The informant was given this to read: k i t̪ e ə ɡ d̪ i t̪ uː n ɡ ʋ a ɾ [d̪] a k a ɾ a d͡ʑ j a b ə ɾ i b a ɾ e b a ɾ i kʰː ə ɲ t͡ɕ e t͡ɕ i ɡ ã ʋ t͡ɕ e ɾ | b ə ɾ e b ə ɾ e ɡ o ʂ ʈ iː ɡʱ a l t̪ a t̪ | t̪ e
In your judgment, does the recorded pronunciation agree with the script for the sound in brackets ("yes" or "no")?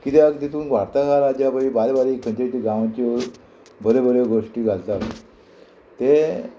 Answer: no